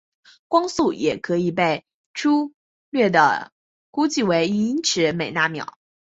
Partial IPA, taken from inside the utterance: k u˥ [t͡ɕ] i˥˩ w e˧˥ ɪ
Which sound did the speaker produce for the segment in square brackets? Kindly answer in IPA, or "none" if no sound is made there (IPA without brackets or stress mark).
t͡ɕ